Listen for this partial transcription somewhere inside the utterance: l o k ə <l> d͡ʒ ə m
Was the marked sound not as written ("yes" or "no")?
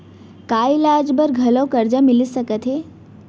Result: yes